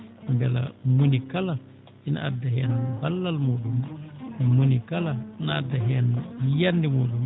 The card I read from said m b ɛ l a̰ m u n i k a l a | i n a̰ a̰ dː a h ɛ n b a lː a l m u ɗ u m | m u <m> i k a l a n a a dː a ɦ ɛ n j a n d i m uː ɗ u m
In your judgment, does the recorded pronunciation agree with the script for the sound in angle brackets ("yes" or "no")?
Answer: no